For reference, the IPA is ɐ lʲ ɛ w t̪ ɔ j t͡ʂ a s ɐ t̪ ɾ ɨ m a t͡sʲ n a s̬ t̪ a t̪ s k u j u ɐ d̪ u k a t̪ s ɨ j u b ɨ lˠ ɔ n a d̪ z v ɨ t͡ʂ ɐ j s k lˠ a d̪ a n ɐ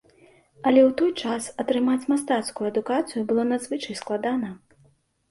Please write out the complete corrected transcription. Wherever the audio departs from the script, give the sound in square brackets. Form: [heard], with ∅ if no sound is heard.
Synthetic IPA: ɐ lʲ ɛ w t̪ ɔ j t͡ʂ a s ɐ t̪ ɾ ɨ m a t͡sʲ [m] a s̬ t̪ a t̪ s k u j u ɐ d̪ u k a t̪ s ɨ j u b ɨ lˠ ɔ n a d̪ z v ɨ t͡ʂ ɐ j s k lˠ a d̪ a n ɐ